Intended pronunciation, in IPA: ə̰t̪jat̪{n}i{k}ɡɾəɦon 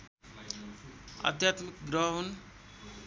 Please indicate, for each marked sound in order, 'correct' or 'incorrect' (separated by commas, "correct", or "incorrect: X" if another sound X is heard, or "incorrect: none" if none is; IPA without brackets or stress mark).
incorrect: m, correct